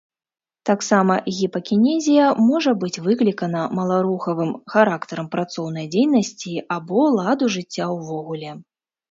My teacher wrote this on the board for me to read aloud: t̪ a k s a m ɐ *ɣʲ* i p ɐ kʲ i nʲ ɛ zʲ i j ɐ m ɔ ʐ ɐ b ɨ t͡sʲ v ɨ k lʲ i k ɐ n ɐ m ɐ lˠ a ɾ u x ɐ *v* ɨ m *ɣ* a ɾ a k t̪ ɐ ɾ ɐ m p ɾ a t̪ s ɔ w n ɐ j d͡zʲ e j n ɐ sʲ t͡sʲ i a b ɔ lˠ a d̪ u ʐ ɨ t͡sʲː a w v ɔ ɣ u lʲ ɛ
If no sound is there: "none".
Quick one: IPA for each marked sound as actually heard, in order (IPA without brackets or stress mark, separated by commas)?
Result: ɣʲ, v, x